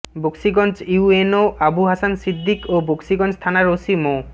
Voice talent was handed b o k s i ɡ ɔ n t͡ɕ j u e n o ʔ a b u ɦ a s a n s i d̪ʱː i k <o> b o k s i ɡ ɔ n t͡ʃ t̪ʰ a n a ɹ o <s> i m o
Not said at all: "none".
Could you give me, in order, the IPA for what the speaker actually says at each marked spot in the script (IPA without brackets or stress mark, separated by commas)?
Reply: o, s